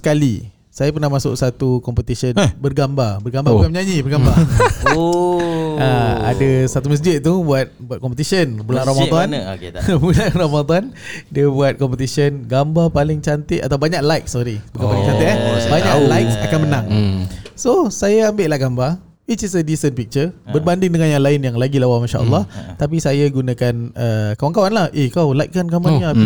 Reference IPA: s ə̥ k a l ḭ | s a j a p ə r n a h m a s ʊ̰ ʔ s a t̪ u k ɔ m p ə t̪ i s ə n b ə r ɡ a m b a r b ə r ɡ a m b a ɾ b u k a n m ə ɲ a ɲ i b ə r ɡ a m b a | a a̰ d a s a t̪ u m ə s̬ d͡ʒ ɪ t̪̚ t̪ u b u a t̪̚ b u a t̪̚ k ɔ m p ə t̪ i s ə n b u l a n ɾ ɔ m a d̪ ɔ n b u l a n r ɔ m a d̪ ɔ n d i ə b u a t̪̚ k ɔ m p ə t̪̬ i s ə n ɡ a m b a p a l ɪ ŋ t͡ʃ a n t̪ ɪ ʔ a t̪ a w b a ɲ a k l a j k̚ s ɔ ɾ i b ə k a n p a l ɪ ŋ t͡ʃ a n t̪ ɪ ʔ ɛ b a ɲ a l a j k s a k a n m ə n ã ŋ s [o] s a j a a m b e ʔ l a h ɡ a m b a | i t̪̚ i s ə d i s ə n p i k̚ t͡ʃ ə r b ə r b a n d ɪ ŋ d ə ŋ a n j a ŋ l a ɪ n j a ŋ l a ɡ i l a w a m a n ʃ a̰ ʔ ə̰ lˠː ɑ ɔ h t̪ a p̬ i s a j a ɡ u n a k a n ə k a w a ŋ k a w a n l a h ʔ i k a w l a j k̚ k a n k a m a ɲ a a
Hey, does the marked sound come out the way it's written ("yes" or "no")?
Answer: yes